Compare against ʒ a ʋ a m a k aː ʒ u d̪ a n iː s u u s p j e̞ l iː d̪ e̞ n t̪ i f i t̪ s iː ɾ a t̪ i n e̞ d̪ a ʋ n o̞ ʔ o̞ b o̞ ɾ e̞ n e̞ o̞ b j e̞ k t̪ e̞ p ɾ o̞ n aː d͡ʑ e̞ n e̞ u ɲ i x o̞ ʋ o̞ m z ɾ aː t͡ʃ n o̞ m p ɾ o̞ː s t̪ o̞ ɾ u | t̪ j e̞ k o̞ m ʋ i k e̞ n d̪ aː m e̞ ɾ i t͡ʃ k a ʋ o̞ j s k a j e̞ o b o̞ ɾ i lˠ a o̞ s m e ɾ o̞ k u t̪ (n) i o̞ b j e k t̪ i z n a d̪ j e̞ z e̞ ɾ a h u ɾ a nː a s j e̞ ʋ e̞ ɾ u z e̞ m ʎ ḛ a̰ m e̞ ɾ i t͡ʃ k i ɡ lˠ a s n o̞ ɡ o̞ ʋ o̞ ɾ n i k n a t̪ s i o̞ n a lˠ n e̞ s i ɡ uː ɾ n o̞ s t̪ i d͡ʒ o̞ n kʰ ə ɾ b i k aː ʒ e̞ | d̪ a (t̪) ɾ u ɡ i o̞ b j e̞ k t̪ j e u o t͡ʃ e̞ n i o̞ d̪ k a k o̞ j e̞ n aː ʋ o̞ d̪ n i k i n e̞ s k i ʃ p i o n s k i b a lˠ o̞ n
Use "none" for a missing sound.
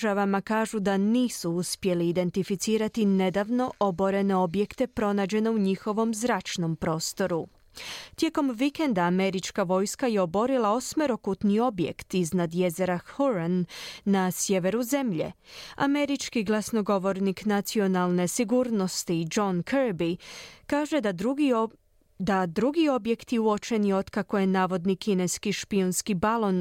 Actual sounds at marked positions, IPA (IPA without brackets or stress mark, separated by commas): n, d̪